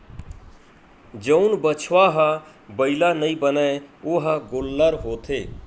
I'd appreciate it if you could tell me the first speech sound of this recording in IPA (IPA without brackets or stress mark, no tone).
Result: d͡ʒ